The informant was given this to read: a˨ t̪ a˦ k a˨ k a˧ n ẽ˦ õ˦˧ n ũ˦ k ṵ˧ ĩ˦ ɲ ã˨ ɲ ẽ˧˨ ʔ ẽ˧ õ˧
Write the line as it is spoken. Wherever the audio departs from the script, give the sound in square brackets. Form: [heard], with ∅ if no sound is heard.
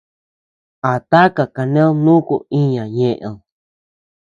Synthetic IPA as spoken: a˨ t̪ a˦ k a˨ k a˧ n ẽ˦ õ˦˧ n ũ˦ k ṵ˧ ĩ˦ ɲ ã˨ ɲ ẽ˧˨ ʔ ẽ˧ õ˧